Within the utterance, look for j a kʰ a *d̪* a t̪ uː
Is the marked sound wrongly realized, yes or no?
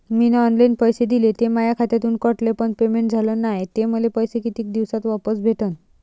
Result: yes